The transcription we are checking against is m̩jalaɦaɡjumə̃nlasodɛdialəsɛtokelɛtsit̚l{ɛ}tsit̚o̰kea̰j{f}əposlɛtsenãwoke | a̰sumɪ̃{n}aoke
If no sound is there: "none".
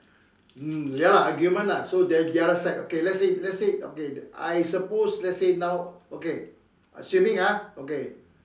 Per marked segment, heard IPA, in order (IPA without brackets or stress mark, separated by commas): ɛ, s, ŋ